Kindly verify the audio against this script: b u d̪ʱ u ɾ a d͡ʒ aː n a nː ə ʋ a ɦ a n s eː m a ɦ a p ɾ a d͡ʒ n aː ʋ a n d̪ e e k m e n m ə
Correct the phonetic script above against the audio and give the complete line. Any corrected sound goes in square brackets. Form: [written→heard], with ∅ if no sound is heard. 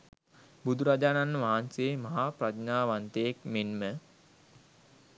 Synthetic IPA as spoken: b u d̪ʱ u ɾ a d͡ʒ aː n a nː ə ʋ a ɦ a n s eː m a ɦ a p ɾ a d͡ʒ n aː ʋ a n [d̪→t̪] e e k m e n m ə